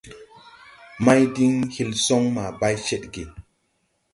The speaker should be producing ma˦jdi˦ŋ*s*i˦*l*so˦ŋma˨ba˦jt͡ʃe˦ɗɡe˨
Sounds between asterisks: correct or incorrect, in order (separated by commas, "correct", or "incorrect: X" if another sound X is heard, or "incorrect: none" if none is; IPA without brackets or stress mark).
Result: incorrect: h, correct